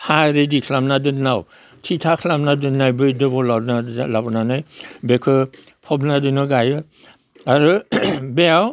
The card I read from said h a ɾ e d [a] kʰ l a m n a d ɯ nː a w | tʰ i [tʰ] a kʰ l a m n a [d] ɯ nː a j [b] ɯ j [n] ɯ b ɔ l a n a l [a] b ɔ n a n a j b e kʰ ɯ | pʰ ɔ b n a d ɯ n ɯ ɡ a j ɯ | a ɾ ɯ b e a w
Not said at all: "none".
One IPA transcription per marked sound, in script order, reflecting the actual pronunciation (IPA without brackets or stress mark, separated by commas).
i, tʰ, d, b, d, a